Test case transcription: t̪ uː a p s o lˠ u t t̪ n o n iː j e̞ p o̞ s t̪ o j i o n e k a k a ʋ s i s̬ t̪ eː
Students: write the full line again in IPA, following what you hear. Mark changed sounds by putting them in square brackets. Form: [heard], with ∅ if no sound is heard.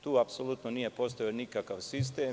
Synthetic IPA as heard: t̪ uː a p s o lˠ u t t̪ n o n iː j e̞ p o̞ s t̪ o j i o n [i] k a k a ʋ s i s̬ t̪ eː